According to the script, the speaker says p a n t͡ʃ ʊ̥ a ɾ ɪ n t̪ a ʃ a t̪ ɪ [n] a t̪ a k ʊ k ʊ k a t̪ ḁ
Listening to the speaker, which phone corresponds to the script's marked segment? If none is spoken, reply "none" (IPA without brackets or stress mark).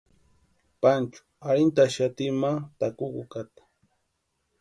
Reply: m